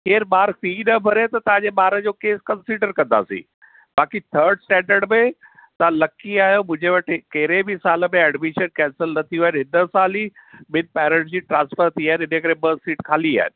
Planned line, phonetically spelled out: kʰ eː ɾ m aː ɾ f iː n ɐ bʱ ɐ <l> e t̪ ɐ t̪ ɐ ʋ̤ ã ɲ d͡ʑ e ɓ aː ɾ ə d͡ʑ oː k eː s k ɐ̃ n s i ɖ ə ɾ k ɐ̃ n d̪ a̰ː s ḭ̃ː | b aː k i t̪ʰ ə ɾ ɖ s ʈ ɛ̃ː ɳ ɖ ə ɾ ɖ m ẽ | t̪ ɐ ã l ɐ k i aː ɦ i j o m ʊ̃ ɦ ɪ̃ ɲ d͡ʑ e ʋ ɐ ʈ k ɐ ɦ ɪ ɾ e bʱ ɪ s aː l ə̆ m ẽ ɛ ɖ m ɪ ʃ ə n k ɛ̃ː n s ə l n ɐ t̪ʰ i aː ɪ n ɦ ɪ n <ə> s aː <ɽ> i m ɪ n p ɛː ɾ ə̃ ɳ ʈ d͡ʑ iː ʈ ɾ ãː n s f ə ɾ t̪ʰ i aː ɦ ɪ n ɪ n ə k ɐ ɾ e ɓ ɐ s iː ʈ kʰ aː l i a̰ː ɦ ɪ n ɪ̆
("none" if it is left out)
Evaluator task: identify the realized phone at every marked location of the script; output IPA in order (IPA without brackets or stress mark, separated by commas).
ɾ, ə, l